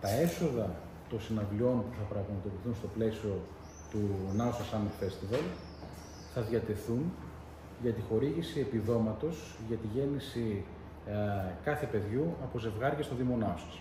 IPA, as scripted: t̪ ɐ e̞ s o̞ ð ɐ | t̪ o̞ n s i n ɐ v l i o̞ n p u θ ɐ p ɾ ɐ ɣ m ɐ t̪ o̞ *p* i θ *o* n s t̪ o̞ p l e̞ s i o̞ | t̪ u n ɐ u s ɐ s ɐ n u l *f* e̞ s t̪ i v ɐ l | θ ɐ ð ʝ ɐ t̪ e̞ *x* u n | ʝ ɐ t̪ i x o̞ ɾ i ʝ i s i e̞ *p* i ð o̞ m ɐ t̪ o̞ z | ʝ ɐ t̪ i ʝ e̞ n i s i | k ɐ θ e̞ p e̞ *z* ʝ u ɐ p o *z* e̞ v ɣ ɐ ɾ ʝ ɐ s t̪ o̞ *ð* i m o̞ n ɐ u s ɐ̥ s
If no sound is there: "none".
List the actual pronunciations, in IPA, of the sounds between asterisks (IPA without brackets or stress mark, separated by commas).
p, u, f, θ, p, ð, z, ð